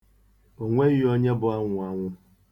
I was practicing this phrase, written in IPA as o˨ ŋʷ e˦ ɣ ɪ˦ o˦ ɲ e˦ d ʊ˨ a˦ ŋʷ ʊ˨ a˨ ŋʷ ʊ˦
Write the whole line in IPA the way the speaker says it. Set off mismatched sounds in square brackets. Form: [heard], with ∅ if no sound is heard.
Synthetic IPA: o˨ ŋʷ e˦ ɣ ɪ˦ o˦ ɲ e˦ [b] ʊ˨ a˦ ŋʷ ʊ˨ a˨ ŋʷ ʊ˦